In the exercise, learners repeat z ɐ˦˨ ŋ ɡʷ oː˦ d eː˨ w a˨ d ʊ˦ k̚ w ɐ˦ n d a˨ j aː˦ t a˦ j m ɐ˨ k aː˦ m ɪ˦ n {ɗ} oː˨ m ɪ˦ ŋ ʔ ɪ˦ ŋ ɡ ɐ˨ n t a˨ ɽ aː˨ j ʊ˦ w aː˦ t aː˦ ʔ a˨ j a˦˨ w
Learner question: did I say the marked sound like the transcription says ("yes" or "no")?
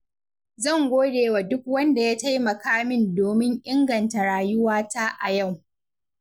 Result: no